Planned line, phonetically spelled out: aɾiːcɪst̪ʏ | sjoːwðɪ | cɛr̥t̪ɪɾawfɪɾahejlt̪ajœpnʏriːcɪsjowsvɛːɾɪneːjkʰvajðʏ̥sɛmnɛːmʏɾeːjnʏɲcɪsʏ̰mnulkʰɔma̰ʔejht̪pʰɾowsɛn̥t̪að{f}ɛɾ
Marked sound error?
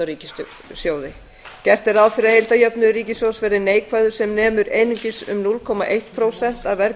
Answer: yes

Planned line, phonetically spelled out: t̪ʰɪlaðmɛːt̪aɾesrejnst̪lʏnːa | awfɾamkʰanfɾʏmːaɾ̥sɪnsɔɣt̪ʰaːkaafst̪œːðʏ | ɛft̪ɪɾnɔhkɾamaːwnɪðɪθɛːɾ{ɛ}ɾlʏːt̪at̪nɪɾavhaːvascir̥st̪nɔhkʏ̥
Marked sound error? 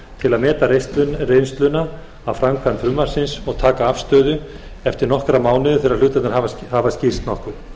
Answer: yes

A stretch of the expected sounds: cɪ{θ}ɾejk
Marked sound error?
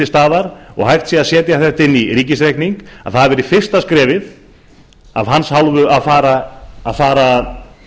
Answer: yes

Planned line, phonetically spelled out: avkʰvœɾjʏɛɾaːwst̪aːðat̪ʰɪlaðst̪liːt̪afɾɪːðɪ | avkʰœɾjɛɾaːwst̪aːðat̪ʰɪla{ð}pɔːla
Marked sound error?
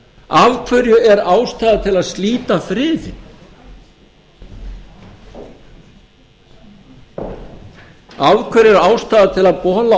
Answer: no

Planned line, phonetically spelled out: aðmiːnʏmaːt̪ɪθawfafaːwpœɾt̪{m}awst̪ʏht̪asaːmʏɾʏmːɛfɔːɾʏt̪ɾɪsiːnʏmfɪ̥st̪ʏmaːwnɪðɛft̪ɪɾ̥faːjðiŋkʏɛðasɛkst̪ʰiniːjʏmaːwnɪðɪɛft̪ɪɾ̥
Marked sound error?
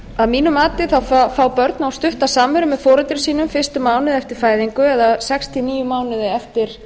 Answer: yes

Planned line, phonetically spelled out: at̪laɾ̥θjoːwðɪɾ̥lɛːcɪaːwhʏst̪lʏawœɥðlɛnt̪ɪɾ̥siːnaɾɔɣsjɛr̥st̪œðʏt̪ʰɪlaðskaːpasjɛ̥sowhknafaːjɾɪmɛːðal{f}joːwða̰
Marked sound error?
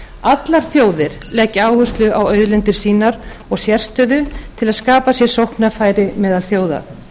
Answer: yes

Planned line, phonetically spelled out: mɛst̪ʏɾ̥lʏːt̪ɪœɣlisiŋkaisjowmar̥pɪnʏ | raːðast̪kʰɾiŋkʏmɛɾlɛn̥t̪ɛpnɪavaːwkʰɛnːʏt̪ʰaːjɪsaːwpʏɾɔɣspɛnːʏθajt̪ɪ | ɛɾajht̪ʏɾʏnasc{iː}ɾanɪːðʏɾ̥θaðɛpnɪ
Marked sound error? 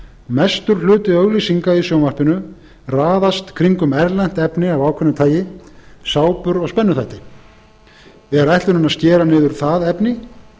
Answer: yes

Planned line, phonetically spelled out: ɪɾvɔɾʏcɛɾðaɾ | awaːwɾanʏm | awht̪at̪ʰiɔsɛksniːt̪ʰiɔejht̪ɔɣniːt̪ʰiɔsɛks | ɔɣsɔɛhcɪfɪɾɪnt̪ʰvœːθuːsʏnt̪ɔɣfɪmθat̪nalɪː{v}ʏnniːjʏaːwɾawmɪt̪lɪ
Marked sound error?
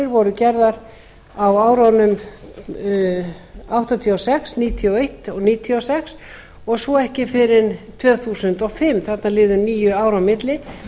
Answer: yes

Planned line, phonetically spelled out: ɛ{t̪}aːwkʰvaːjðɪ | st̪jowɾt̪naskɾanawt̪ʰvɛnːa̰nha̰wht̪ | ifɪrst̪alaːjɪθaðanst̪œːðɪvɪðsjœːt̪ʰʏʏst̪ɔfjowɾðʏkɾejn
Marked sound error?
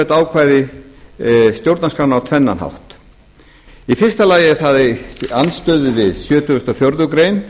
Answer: no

